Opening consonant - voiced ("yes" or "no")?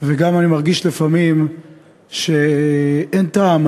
yes